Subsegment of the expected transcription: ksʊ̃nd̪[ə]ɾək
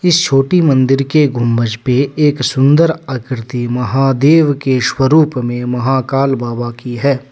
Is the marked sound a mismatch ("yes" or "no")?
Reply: no